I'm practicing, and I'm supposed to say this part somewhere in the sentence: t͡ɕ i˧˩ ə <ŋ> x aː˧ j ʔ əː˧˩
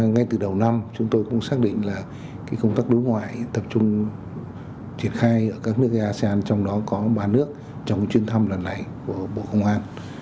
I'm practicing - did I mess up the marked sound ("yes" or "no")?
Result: yes